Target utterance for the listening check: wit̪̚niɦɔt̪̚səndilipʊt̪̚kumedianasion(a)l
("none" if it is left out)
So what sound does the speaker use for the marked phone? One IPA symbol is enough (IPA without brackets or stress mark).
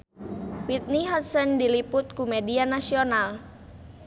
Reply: a